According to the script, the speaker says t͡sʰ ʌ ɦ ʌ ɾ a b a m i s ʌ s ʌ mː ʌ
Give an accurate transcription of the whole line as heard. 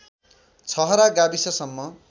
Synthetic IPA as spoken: t͡sʰ ʌ ɦ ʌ ɾ a ɡ a b i s ʌ s ʌ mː ʌ